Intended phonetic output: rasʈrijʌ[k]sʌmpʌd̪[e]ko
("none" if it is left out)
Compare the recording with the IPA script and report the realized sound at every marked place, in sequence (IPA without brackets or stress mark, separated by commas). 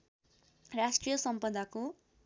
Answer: none, a